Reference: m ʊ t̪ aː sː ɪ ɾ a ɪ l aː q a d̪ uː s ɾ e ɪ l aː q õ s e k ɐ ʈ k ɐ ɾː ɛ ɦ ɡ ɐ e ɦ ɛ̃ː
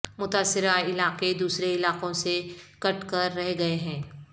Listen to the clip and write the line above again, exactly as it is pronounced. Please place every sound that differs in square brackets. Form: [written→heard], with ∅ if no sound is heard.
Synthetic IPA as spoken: m ʊ t̪ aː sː ɪ ɾ a ɪ l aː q [a→e] d̪ uː s ɾ e ɪ l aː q õ s e k ɐ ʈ k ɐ ɾː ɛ ɦ ɡ ɐ e ɦ ɛ̃ː